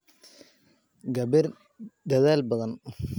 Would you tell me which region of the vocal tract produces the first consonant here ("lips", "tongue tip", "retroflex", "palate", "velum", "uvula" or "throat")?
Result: velum